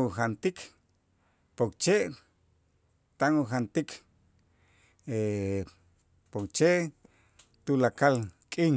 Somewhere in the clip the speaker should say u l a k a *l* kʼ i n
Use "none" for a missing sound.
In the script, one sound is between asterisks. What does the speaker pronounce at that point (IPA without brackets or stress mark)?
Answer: l